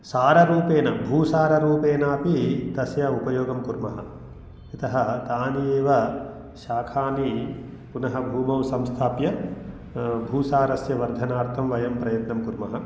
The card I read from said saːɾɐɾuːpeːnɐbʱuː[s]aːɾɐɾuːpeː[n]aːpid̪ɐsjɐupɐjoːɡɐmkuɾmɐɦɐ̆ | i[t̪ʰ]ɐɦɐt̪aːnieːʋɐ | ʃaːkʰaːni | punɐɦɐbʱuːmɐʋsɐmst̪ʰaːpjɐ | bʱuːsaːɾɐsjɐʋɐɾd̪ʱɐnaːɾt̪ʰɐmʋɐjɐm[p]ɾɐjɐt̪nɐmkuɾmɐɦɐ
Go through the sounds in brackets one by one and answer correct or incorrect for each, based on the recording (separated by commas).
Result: correct, correct, incorrect, correct